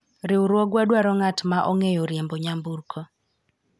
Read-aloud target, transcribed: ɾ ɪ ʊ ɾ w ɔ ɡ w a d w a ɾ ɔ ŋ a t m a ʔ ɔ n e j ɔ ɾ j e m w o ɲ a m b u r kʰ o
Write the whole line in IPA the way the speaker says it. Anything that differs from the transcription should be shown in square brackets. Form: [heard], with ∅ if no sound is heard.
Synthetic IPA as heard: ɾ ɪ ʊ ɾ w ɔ ɡ w a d w a ɾ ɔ ŋ a t m a ʔ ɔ [ŋ] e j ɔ ɾ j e m [b] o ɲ a m b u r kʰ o